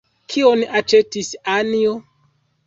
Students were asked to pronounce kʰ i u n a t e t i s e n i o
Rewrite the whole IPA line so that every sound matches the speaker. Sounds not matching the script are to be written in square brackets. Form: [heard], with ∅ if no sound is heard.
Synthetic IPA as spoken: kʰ i [o] n a [t͡ʃ] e t i s [a] n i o